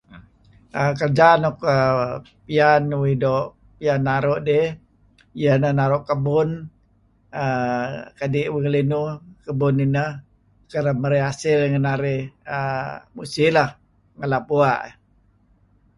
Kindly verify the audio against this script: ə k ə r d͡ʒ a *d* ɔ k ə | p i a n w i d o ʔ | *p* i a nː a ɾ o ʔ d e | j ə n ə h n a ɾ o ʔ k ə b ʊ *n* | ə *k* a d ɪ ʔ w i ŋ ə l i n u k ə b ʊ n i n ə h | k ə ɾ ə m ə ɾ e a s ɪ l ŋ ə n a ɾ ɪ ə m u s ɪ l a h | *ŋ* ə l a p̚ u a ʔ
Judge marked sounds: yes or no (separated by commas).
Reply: no, yes, yes, yes, yes